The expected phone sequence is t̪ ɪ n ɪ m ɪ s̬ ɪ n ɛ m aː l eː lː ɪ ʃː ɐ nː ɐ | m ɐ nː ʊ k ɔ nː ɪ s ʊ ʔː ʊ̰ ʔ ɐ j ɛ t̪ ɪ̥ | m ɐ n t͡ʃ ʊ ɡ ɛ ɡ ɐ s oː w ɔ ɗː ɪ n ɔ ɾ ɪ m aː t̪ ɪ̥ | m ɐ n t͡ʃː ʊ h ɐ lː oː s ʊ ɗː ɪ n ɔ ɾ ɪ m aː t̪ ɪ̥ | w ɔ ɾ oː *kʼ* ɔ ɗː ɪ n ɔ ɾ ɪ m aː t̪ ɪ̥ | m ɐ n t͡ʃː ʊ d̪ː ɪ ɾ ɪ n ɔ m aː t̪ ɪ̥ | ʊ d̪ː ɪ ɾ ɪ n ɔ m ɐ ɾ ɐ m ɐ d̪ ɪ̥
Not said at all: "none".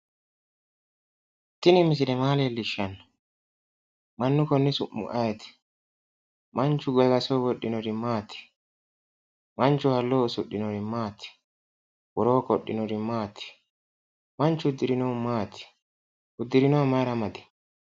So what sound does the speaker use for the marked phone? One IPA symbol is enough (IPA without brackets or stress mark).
k